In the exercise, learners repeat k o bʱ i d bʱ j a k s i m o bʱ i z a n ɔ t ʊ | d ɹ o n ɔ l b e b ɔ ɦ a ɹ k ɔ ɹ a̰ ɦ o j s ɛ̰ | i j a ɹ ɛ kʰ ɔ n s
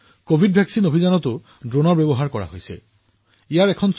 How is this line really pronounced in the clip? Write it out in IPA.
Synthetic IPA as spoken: k o bʱ i d bʱ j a k s i n o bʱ i z a n ɔ t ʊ | d ɹ o n ɔ ɹ b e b ɔ ɦ a ɹ k ɔ ɹ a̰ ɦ o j s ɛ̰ | i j a ɹ ɛ kʰ ɔ n s